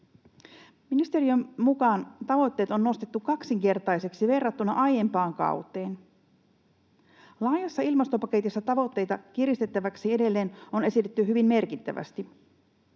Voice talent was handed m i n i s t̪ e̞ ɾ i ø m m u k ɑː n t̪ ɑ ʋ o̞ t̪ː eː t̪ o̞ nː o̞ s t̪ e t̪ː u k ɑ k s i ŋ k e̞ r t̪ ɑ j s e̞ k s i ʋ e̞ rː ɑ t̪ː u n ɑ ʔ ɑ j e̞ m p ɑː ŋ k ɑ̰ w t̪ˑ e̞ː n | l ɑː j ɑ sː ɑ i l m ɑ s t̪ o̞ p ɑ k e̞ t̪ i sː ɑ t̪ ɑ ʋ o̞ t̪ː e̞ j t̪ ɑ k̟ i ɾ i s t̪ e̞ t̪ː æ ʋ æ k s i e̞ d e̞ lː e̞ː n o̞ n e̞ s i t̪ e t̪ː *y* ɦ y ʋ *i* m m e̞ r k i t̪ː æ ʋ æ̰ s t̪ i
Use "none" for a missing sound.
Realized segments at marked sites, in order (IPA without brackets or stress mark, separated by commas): y, i